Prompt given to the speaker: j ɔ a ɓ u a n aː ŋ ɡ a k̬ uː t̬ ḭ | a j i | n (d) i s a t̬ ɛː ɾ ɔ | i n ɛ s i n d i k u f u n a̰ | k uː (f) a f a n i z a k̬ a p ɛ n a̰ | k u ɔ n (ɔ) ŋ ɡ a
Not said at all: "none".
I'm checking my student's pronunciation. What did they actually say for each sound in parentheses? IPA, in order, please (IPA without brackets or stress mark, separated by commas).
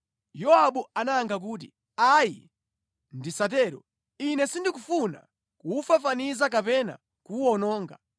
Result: d, f, ɔː